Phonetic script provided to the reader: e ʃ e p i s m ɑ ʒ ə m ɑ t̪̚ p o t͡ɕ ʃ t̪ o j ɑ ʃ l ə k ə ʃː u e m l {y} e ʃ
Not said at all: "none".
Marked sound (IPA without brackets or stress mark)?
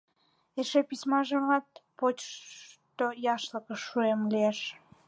i